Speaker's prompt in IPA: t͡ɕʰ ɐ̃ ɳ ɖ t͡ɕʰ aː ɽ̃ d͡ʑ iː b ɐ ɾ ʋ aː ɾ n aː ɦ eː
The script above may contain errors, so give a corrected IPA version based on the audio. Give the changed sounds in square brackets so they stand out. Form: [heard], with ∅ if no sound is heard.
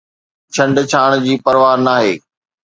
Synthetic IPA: t͡ɕʰ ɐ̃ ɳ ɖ t͡ɕʰ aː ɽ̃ d͡ʑ iː [p] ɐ ɾ ʋ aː ɾ n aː ɦ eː